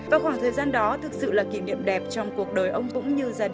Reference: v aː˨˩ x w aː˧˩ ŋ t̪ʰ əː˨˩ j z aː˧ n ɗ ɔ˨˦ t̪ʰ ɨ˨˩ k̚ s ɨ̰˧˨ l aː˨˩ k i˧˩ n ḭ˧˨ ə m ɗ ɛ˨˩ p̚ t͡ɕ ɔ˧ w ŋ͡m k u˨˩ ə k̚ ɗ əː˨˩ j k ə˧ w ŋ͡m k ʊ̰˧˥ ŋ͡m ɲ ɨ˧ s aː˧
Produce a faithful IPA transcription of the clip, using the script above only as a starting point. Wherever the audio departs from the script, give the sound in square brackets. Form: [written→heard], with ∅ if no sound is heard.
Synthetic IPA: v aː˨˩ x w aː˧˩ ŋ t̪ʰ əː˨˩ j z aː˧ n ɗ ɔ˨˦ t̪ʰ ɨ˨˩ k̚ s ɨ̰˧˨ l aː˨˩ k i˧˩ n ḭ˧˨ ə m ɗ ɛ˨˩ p̚ t͡ɕ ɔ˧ w ŋ͡m k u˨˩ ə k̚ ɗ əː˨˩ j [k→ʔ] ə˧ w ŋ͡m k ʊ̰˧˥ ŋ͡m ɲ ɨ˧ [s→z] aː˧